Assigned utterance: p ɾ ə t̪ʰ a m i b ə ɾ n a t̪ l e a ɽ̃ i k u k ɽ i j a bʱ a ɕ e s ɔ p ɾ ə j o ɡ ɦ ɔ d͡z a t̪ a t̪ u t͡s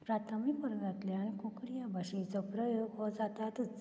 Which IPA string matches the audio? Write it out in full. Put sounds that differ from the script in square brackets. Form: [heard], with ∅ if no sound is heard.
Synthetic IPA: p ɾ [a] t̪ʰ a m i [p] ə ɾ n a t̪ l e a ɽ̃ i k u k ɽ i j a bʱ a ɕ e [t͡s] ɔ p ɾ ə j o ɡ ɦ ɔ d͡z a t̪ a t̪ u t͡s